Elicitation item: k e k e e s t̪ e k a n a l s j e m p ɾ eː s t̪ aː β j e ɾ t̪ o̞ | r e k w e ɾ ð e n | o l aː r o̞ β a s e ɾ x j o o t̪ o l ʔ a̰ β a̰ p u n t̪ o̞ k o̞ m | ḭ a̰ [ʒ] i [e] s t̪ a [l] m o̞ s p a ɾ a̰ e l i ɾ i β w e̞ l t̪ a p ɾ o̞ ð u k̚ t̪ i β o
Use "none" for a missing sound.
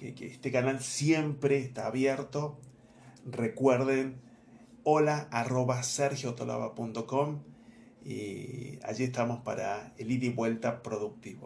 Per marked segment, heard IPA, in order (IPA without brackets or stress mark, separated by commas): ʒ, e, none